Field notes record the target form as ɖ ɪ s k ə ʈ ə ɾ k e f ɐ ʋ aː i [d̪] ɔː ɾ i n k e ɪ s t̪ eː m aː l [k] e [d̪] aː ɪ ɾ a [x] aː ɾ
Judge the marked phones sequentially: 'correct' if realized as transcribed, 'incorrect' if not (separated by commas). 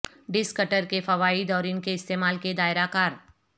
correct, correct, correct, incorrect